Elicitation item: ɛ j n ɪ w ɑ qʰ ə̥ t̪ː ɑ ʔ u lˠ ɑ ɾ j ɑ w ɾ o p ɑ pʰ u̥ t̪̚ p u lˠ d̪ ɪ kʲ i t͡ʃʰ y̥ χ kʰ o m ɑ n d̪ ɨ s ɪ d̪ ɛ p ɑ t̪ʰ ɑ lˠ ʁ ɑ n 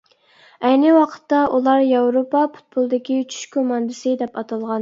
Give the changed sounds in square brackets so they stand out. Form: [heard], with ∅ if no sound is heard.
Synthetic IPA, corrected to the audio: ɛ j n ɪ w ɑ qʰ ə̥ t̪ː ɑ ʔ u lˠ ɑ ɾ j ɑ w ɾ o p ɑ pʰ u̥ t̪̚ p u lˠ d̪ ɪ kʲ i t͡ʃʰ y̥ [ʃ] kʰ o m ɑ n d̪ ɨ s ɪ d̪ ɛ p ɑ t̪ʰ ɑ lˠ ʁ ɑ n